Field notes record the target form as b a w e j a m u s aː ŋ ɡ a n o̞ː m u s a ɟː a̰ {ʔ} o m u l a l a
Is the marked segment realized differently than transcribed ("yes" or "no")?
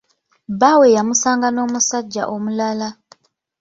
no